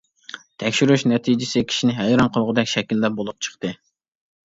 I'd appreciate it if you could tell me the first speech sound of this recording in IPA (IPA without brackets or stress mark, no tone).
t̪ʰ